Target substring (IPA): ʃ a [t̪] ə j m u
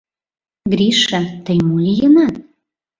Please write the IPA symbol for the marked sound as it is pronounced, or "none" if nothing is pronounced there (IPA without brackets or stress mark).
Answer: t̪